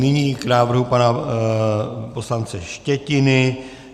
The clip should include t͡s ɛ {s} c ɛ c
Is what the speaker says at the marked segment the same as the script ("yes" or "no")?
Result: no